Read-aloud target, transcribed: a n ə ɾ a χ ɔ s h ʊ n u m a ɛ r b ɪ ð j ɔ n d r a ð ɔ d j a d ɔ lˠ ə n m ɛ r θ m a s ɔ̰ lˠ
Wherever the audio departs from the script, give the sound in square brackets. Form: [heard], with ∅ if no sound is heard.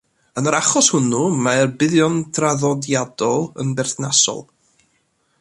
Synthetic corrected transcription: [ə] n ə ɾ a χ ɔ s h ʊ n u m a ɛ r b ɪ ð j ɔ n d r a ð ɔ d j a d ɔ lˠ ə n [b] ɛ r θ [n] a s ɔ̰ lˠ